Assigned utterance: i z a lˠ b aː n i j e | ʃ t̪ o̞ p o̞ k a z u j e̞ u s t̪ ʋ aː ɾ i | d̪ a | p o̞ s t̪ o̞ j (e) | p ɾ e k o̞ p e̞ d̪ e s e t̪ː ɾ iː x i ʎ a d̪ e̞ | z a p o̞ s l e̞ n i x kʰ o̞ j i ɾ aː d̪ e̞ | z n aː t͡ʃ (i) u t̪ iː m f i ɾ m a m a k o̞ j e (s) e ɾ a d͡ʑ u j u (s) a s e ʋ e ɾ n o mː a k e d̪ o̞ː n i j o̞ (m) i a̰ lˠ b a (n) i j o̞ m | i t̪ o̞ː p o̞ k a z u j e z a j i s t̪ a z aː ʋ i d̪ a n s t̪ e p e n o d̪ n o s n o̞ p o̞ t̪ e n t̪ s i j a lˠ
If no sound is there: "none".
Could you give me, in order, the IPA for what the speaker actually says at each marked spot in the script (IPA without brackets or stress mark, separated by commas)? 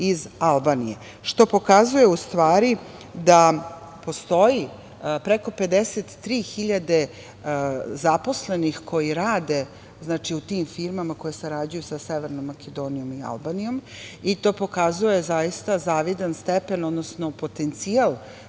i, i, s, s, m, n